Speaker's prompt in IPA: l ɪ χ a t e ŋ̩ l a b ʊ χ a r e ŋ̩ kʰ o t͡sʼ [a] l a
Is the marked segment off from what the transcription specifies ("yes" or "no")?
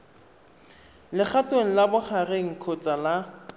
no